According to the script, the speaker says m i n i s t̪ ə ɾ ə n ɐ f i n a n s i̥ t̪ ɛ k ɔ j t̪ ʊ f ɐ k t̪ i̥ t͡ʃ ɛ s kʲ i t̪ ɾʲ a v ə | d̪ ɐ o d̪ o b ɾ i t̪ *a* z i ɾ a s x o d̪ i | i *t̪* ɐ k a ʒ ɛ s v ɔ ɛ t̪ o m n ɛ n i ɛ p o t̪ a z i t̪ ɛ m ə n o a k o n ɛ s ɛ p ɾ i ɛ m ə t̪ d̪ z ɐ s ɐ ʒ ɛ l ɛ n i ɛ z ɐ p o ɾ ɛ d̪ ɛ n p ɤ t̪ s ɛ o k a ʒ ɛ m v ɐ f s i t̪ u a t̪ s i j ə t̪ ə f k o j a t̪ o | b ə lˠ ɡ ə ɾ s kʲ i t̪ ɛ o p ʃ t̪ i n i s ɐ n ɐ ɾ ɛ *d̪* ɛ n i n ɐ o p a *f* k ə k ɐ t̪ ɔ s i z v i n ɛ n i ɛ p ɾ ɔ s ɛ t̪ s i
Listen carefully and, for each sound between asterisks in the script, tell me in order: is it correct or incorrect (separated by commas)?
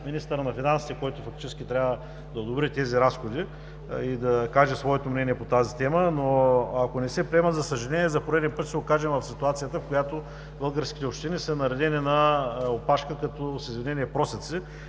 incorrect, incorrect, correct, incorrect